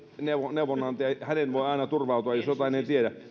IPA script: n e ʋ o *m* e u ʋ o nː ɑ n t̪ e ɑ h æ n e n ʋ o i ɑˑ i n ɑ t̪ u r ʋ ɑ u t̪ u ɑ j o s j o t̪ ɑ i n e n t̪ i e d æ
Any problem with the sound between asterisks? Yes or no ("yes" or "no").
yes